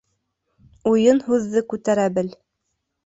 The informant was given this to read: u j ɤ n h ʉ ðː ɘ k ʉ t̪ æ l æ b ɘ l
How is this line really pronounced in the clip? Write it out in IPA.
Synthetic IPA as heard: u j ɤ n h ʉ ðː ɘ k ʉ t̪ æ ɾ æ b ɘ l